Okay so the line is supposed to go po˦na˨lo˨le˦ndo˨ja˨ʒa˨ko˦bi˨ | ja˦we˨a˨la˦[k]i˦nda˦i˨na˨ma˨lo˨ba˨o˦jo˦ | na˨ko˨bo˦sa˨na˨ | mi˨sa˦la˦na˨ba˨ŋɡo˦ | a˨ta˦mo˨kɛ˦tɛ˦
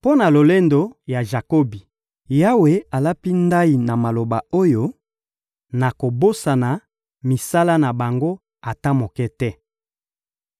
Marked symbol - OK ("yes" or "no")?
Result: no